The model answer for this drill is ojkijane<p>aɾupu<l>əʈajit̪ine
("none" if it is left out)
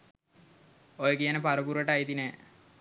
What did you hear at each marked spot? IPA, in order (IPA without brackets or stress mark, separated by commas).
p, ɾ